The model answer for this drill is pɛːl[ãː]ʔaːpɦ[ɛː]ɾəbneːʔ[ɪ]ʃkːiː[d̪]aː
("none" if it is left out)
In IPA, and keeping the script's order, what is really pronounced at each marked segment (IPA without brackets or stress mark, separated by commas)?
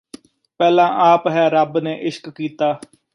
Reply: ãː, ɛː, ɪ, t̪